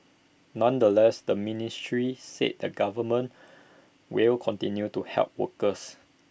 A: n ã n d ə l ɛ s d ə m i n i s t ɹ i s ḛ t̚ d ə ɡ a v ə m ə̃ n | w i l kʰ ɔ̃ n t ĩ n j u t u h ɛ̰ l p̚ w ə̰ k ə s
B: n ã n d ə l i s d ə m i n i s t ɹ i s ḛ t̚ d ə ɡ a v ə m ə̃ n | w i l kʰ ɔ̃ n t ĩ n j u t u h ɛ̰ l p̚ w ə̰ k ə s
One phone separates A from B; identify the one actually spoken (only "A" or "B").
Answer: A